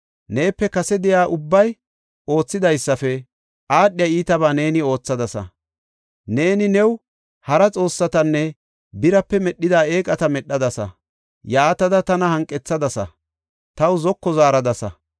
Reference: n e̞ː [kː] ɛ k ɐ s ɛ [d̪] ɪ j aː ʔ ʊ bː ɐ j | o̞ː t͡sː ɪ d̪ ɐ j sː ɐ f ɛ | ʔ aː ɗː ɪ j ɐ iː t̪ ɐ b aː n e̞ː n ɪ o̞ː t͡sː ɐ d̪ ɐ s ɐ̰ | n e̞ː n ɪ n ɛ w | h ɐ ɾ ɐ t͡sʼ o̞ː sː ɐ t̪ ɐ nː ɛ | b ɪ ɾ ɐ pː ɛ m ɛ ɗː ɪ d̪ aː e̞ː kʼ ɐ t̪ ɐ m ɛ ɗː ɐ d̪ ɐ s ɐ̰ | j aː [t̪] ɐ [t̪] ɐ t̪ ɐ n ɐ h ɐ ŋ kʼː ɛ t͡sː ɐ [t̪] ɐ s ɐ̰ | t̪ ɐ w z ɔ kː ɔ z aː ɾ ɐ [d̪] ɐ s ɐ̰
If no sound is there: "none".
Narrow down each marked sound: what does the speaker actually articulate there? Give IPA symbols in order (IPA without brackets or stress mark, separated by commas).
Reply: pː, d̪, t̪, d̪, d̪, d̪